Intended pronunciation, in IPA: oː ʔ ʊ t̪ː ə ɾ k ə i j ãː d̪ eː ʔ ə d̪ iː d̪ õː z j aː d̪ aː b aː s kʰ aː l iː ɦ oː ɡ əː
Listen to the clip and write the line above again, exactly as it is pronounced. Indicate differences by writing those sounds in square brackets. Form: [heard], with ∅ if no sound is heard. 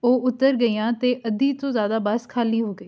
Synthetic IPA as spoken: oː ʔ ʊ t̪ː ə ɾ [ɡ] ə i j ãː [t̪] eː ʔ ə d̪ iː [t̪] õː z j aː d̪ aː b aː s kʰ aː l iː ɦ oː ɡ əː